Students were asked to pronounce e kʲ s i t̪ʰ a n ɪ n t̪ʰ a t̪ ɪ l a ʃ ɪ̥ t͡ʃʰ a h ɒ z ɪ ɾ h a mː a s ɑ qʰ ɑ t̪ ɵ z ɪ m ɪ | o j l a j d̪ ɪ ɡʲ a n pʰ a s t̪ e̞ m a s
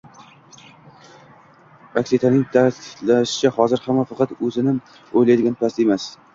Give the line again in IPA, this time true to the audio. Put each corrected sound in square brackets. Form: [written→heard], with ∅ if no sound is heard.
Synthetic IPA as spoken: [e→a] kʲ s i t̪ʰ a n ɪ [n→ŋ] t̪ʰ a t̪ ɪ l a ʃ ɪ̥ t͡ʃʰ a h ɒ z ɪ ɾ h a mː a [s→f] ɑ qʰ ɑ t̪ ɵ z ɪ [m→n] ɪ | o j l a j d̪ ɪ ɡʲ a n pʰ a s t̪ e̞ m a s